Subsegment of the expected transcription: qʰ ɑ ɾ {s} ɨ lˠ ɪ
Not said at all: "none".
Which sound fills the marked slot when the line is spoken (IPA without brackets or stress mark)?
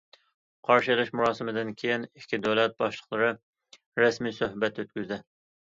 ʃ